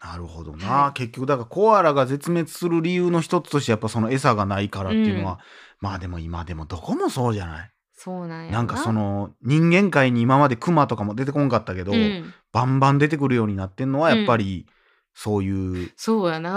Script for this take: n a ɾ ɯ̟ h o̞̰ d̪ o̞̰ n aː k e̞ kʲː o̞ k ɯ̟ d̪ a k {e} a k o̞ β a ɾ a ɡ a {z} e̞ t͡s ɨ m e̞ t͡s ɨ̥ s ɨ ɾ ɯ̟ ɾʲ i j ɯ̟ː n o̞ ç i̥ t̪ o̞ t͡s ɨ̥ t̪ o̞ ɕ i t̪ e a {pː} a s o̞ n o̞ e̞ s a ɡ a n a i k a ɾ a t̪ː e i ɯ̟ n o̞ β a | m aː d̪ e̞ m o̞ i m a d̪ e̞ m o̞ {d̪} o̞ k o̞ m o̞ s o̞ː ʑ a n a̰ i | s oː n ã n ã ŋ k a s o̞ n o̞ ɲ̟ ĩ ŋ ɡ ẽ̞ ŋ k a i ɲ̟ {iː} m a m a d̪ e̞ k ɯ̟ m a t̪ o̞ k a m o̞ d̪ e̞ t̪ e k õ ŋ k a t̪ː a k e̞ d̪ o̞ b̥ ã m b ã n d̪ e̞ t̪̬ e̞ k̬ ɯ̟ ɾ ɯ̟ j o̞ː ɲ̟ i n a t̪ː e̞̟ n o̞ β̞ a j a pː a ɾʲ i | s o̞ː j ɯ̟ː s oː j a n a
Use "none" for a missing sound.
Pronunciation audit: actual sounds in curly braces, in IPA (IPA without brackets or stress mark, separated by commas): a, z, pː, d̪, iː